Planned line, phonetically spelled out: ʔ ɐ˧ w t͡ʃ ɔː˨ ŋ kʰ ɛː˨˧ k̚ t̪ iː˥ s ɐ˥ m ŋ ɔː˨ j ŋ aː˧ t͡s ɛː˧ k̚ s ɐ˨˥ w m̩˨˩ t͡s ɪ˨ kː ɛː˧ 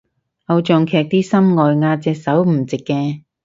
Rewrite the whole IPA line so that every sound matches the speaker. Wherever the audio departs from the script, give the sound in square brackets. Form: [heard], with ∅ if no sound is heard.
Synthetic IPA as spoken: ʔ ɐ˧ w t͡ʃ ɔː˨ ŋ kʰ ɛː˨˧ k̚ t̪ iː˥ s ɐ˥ m ŋ ɔː˨ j ŋ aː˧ t͡s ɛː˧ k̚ s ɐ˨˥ w m̩˨˩ t͡s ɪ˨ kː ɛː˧

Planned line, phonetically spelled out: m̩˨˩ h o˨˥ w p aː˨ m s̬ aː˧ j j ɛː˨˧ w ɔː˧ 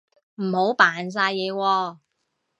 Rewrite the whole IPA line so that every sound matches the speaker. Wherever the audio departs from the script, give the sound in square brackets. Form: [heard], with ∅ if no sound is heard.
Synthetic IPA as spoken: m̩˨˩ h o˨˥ w p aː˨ [n] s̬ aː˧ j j ɛː˨˧ w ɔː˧

